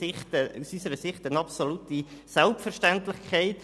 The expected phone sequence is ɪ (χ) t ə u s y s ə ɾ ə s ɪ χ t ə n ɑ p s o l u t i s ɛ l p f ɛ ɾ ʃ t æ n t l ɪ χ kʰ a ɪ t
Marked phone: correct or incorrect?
correct